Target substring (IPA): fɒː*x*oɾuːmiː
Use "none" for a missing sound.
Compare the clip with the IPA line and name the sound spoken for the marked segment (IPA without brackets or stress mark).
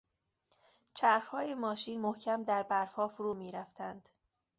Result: f